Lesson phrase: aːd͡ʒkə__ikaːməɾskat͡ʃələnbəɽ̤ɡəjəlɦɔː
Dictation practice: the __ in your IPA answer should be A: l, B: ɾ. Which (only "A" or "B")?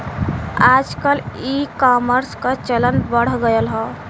A